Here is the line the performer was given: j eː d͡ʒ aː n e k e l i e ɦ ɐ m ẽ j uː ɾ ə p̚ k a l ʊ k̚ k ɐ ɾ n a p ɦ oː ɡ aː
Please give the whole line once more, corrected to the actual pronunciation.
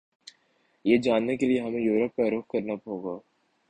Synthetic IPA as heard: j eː d͡ʒ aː nː e k e l i e ɦ ɐ m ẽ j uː ɾ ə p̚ k a ɾ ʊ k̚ k ɐ ɾ n a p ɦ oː ɡ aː